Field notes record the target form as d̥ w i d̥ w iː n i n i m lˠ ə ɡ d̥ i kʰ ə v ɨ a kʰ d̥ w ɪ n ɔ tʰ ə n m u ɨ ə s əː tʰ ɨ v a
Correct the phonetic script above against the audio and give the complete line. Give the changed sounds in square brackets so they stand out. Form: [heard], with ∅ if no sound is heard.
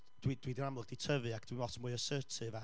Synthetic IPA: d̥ w i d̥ w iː [d] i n [a] m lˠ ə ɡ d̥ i [tʰ] ə v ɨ a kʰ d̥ w [i] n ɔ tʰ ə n m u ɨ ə s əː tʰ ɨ v a